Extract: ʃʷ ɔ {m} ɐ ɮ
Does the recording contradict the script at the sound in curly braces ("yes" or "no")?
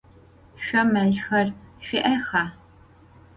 no